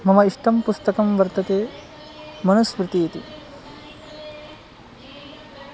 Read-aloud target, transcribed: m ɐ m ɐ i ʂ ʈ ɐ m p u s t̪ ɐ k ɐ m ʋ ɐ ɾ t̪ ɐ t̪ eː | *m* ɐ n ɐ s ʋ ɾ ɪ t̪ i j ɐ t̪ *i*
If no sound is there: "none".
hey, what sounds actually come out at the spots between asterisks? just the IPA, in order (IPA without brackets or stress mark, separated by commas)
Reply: m, i